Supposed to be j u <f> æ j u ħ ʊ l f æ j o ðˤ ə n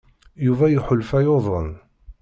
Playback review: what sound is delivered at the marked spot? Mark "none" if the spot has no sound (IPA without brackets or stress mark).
v